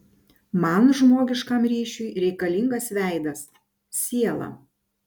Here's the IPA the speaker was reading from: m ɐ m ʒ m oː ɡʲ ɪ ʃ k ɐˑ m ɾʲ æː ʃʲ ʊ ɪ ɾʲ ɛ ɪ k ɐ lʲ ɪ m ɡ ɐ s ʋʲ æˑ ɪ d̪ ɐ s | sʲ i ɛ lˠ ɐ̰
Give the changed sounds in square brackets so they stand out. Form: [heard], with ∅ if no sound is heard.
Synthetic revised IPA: m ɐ [n] ʒ m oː ɡʲ ɪ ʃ k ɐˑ m ɾʲ [iː] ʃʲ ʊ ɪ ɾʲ ɛ ɪ k ɐ lʲ ɪ [ŋ] ɡ ɐ s ʋʲ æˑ ɪ d̪ ɐ s | sʲ i ɛ lˠ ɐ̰